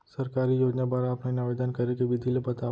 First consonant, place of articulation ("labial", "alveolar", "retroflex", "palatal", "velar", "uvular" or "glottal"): alveolar